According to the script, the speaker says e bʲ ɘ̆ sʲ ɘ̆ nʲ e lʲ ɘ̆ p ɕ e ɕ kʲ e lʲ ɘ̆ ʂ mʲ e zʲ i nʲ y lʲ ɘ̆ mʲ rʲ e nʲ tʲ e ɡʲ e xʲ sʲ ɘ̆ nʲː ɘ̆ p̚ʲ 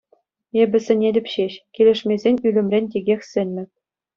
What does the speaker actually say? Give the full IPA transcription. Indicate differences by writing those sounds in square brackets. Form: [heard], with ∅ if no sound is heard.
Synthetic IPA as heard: e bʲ ɘ̆ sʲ ɘ̆ nʲ e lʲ ɘ̆ p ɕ e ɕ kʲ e lʲ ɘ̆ ʂ mʲ e zʲ [e] nʲ y lʲ ɘ̆ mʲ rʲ e nʲ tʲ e ɡʲ e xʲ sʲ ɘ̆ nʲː ɘ̆ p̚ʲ